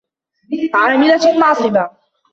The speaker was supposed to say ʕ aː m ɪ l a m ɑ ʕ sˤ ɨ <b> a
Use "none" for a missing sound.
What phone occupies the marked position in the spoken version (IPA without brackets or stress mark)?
b